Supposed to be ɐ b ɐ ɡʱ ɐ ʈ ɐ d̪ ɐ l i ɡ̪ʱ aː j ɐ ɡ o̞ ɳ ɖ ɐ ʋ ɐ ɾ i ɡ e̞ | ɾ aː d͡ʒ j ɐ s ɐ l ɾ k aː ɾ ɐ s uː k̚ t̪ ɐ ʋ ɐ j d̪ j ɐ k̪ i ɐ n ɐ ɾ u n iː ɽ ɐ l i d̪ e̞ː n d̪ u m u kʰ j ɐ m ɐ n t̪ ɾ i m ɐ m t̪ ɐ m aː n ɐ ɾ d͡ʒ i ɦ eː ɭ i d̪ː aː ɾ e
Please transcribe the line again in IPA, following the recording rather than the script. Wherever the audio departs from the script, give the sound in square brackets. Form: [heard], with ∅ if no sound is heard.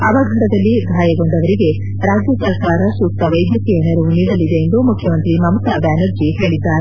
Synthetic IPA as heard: ɐ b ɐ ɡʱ ɐ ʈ ɐ d̪ ɐ [lː] i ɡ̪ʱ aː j ɐ ɡ o̞ ɳ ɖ ɐ ʋ ɐ ɾ i ɡ e̞ | ɾ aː d͡ʒ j ɐ s ɐ [∅] ɾ k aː ɾ ɐ s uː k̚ t̪ ɐ ʋ ɐ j d̪ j ɐ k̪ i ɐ n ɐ ɾ u n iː ɽ ɐ l i d̪ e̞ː n d̪ u m u kʰ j ɐ m ɐ n t̪ ɾ i m ɐ m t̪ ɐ [b] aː n ɐ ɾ d͡ʒ i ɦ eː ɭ i d̪ː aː ɾ e

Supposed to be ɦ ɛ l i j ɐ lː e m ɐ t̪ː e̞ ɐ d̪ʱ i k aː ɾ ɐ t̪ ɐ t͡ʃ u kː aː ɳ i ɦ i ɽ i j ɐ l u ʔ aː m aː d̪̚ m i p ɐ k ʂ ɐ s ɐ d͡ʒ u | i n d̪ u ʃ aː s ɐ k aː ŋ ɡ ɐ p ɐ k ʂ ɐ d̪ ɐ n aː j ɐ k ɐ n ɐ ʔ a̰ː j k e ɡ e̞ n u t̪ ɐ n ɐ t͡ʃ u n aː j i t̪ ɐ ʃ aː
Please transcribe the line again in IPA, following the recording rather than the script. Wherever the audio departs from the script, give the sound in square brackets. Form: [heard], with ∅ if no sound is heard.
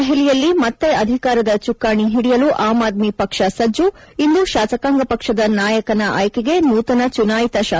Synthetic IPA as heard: ɦ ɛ l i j ɐ lː [i] m ɐ t̪ː e̞ ɐ d̪ʱ i k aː ɾ ɐ [d̪] ɐ t͡ʃ u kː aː ɳ i ɦ i ɽ i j ɐ l u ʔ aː m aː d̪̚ m i p ɐ k ʂ ɐ s ɐ d͡ʒ u | i n d̪ u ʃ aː s ɐ k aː ŋ ɡ ɐ p ɐ k ʂ ɐ d̪ ɐ n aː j ɐ k ɐ n ɐ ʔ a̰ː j k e ɡ e̞ n [uː] t̪ ɐ n ɐ t͡ʃ u n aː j i t̪ ɐ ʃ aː

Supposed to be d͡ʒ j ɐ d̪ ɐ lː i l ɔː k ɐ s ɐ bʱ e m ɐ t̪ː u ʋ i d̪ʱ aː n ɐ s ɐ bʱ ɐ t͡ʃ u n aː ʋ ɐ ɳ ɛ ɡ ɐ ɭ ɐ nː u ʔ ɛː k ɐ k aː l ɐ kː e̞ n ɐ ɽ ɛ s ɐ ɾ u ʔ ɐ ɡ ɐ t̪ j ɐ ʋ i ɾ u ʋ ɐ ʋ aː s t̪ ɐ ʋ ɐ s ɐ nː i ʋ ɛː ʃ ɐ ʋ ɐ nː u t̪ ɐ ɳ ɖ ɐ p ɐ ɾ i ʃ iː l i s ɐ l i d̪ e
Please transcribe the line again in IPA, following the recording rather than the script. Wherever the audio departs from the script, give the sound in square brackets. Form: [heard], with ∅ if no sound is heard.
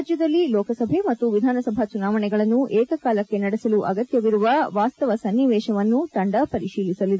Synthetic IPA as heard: d͡ʒ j ɐ d̪ ɐ lː i l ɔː k ɐ s ɐ bʱ e m ɐ t̪ː u ʋ i d̪ʱ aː n ɐ s ɐ bʱ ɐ t͡ʃ u n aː ʋ ɐ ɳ ɛ ɡ ɐ ɭ ɐ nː u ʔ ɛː k ɐ k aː l ɐ kː e̞ n ɐ ɽ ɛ s ɐ [l] u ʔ ɐ ɡ ɐ t̪ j ɐ ʋ i ɾ u ʋ ɐ ʋ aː s t̪ ɐ ʋ ɐ s ɐ nː i ʋ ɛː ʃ ɐ ʋ ɐ nː u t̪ ɐ ɳ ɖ ɐ p ɐ ɾ i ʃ iː l i s ɐ l i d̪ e

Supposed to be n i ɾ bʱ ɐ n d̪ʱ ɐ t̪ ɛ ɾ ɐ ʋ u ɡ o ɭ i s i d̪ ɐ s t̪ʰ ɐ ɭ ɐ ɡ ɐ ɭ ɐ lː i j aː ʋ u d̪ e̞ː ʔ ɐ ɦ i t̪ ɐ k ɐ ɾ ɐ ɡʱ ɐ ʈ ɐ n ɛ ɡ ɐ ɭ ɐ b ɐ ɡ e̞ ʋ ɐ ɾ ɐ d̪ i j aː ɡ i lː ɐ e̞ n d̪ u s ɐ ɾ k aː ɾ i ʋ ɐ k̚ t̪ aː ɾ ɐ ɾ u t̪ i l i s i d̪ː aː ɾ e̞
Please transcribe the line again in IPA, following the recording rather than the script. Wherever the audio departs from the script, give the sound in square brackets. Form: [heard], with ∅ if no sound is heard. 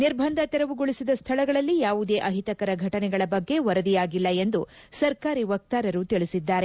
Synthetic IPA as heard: n i ɾ bʱ ɐ n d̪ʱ ɐ t̪ ɛ ɾ ɐ ʋ u ɡ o ɭ i s i d̪ ɐ s t̪ʰ ɐ ɭ ɐ ɡ ɐ ɭ ɐ lː i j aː ʋ u d̪ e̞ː ʔ ɐ ɦ i t̪ ɐ k ɐ ɾ ɐ ɡʱ ɐ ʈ ɐ n ɛ ɡ ɐ ɭ ɐ b ɐ [ɡː] e̞ ʋ ɐ ɾ ɐ d̪ i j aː ɡ i lː ɐ e̞ n d̪ u s ɐ ɾ k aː ɾ i ʋ ɐ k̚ t̪ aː ɾ ɐ ɾ u t̪ i [ɭ] i s i d̪ː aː ɾ e̞

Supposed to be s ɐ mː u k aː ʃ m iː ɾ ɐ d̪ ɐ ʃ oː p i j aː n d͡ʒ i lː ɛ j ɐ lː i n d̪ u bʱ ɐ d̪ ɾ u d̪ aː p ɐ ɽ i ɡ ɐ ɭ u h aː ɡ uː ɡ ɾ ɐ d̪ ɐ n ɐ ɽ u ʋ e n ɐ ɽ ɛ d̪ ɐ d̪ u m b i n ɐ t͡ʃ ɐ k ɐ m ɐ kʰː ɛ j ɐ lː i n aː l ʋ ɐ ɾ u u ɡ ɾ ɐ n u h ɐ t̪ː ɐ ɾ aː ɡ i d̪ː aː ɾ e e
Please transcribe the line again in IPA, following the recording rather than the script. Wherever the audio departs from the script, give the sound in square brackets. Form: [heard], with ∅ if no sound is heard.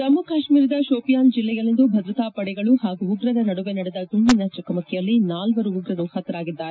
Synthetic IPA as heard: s ɐ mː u k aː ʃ m iː ɾ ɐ d̪ ɐ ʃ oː p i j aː n d͡ʒ i lː ɛ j ɐ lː i n d̪ u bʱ ɐ d̪ ɾ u [t̪] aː p ɐ ɽ [ɛ] ɡ ɐ ɭ u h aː ɡ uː ɡ ɾ ɐ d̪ ɐ n ɐ ɽ u ʋ e n ɐ ɽ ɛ d̪ ɐ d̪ u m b i n ɐ t͡ʃ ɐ k ɐ m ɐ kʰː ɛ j ɐ lː i n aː l ʋ ɐ ɾ u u ɡ ɾ ɐ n u h ɐ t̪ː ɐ ɾ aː ɡ i d̪ː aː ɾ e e

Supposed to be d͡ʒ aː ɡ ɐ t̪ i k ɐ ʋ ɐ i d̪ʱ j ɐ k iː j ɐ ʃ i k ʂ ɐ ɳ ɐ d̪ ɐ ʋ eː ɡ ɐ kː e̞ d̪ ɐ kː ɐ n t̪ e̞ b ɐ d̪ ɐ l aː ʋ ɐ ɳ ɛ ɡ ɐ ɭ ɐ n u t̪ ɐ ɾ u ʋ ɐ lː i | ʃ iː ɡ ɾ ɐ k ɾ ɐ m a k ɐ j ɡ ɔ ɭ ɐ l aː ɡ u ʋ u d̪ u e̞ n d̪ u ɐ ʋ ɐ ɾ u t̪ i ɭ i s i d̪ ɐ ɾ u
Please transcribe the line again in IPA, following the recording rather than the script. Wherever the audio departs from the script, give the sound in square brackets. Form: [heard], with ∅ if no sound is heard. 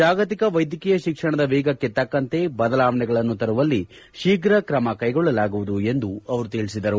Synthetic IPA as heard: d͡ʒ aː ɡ ɐ t̪ i k ɐ ʋ ɐ [j] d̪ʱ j ɐ k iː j ɐ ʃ i k ʂ ɐ ɳ ɐ d̪ ɐ ʋ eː ɡ ɐ kː e̞ [t̪] ɐ kː ɐ n t̪ e̞ b ɐ d̪ ɐ l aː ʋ ɐ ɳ ɛ ɡ ɐ ɭ ɐ [nː] u t̪ ɐ ɾ u ʋ ɐ lː i | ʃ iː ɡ ɾ ɐ k ɾ ɐ m [ɐ] k ɐ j ɡ ɔ [ɭː] ɐ l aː ɡ u ʋ u d̪ u e̞ n d̪ u ɐ ʋ ɐ ɾ u t̪ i ɭ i s i d̪ ɐ ɾ u

